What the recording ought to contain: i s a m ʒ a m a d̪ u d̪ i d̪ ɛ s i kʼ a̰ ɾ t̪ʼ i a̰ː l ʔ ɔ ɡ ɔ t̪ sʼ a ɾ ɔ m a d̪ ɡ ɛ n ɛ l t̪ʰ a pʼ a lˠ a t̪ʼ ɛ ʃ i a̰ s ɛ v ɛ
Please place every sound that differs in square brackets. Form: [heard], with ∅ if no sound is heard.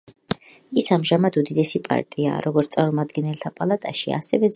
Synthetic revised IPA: i s a m ʒ a m a d̪ u d̪ i d̪ ɛ s i [pʼ] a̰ ɾ t̪ʼ i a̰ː [ɾ] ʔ ɔ ɡ ɔ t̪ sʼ a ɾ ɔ m a d̪ ɡ ɛ n ɛ l t̪ʰ a pʼ a lˠ a t̪ʼ [a] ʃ i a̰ s ɛ v ɛ